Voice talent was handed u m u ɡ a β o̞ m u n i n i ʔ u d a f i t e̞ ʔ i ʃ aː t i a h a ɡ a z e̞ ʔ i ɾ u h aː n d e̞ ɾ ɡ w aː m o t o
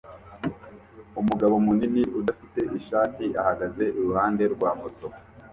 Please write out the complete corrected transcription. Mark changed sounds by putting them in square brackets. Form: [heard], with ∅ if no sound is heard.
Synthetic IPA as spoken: u m u ɡ a β o̞ m u n i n i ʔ u d a f i t e̞ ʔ i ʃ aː t i a h a ɡ a z e̞ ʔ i ɾ u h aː n d e̞ ɾ ɡ w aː m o t o

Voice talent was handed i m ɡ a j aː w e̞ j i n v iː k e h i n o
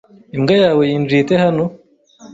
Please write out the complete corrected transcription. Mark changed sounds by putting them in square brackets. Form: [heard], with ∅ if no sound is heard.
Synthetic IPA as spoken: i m ɡ a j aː w e̞ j i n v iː [t] e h [a] n o

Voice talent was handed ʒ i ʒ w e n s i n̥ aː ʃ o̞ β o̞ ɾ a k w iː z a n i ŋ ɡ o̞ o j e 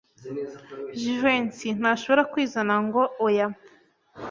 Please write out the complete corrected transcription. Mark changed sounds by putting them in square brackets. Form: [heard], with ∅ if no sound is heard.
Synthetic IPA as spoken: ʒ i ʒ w e n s i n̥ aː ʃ o̞ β o̞ ɾ a k w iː z a n [a] ŋ ɡ o̞ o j [a]

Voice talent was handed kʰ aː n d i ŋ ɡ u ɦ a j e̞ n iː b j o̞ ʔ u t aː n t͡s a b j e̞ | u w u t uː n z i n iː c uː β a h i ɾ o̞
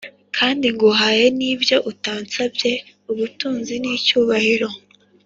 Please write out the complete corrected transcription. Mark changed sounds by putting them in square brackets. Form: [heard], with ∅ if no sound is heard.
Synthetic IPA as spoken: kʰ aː n d i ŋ ɡ u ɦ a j e̞ n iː b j o̞ ʔ u t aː n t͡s a b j e̞ | u [β] u t uː n z i n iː c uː β a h i ɾ o̞

